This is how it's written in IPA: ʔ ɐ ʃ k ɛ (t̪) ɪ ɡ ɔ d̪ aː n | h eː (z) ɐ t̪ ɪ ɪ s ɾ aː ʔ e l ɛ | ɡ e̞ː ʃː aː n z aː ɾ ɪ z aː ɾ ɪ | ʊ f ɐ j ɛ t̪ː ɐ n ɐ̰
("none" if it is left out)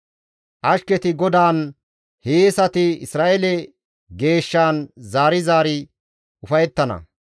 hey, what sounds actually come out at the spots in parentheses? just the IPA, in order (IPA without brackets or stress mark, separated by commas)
t̪, s